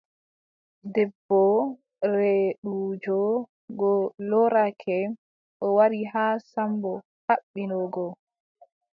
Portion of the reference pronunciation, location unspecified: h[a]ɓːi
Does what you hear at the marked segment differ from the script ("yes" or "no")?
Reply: no